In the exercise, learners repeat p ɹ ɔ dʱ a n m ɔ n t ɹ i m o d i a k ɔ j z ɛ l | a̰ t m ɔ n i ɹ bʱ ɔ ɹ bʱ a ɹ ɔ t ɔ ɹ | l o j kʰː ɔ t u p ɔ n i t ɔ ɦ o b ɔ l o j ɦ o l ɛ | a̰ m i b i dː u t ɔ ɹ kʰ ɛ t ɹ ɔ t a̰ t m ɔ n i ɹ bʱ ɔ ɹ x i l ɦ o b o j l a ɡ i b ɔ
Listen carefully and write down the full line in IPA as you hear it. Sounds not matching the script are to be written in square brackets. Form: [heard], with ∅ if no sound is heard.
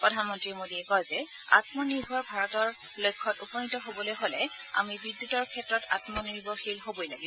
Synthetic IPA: p ɹ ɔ dʱ a n m ɔ n t ɹ i m o d i [ɛ] k ɔ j z ɛ [∅] | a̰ t m ɔ n i ɹ bʱ ɔ ɹ bʱ a ɹ ɔ t ɔ ɹ | l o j kʰː ɔ t u p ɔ n i t ɔ ɦ o b ɔ l o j ɦ o l ɛ | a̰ m i b i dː u t ɔ ɹ kʰ ɛ t ɹ ɔ t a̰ t m ɔ n i ɹ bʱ ɔ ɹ x i l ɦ o b o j l a ɡ i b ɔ